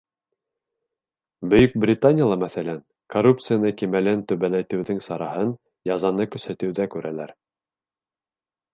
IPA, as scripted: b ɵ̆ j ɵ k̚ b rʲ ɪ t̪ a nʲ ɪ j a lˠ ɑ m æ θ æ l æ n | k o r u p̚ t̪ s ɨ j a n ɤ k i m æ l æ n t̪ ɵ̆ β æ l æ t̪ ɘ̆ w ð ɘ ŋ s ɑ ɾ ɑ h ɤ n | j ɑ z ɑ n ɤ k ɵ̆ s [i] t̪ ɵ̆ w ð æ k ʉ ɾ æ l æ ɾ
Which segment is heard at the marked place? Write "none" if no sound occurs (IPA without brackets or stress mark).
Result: æ